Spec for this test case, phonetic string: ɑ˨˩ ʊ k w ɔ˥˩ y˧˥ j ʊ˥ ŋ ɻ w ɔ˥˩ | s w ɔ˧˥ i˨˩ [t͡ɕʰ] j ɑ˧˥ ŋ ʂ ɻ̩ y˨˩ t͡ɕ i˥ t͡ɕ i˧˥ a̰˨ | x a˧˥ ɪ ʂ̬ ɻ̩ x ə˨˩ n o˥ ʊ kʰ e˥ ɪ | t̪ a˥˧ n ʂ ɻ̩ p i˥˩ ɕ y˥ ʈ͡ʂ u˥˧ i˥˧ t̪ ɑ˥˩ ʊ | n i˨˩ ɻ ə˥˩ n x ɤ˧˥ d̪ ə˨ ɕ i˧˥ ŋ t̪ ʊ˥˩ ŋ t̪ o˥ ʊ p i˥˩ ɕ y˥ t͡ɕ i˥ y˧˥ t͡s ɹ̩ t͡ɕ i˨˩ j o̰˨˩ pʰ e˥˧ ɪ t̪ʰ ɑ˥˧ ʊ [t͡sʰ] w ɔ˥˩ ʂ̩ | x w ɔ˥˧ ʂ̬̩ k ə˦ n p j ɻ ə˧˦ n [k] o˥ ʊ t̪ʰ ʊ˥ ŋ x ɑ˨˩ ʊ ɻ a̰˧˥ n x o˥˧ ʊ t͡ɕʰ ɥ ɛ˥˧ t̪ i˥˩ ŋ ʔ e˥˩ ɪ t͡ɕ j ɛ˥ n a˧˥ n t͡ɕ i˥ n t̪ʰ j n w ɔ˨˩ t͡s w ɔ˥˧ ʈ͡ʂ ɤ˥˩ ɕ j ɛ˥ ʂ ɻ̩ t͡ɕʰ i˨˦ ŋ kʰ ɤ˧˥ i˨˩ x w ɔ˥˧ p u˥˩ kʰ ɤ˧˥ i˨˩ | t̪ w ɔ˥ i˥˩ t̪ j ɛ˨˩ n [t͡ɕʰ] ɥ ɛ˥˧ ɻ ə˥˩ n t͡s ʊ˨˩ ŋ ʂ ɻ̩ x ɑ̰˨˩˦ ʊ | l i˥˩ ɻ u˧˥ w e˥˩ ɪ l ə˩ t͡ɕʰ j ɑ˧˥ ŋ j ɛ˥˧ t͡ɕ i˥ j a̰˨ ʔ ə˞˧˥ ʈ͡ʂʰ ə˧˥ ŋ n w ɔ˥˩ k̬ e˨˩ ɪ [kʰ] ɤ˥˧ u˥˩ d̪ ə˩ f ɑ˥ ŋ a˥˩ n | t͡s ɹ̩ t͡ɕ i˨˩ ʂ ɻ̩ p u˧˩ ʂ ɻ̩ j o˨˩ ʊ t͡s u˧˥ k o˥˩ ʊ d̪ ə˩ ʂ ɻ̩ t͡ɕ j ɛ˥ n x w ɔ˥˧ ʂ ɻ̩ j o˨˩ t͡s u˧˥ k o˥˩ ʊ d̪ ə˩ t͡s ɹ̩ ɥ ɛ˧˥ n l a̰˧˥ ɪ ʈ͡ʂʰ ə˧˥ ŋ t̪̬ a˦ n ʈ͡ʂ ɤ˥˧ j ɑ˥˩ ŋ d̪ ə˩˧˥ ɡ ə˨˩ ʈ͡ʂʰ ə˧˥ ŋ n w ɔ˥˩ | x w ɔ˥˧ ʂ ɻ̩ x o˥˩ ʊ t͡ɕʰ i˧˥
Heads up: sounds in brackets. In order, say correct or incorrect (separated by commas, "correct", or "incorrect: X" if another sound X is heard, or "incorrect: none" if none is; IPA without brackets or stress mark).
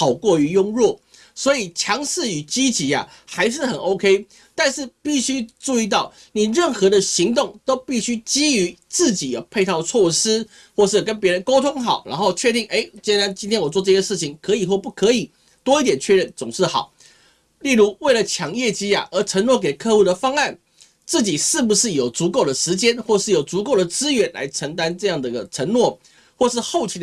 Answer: correct, correct, correct, correct, correct